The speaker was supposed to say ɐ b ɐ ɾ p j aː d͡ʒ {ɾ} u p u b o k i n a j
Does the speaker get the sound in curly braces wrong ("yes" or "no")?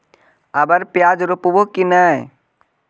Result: no